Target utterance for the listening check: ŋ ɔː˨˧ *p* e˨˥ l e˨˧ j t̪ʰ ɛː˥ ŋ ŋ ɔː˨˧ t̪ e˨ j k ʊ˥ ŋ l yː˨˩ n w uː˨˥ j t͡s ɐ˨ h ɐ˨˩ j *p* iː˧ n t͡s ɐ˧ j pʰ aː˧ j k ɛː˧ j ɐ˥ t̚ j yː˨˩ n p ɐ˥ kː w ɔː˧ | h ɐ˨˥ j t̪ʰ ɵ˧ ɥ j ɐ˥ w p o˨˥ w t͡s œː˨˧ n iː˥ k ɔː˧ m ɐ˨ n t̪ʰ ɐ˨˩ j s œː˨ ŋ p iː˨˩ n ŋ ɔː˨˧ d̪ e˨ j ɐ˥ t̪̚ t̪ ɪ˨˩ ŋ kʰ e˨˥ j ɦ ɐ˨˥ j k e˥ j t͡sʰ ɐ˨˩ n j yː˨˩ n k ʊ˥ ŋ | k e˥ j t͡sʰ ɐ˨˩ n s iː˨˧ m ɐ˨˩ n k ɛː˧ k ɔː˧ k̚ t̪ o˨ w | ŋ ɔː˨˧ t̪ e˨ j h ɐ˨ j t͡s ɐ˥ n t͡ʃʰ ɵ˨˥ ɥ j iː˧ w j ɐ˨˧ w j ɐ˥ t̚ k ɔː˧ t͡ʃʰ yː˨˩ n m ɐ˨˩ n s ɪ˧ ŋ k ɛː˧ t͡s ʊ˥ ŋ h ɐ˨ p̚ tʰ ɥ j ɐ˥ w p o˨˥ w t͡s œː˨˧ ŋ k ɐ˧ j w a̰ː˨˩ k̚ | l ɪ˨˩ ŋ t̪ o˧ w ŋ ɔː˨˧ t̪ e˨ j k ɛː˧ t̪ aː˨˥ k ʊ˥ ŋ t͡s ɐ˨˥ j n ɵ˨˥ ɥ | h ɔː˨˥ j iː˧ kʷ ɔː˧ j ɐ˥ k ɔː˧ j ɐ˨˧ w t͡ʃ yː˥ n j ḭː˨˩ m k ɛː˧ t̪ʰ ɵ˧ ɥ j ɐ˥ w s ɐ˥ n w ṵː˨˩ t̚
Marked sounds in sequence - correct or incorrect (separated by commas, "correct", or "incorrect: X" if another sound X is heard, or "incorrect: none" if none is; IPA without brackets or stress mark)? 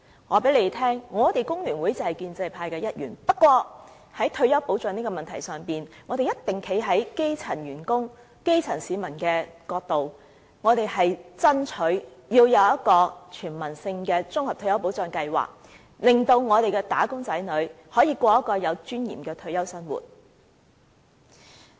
correct, incorrect: k